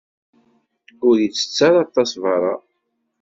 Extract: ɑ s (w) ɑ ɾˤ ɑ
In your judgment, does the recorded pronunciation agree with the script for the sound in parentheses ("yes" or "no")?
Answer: no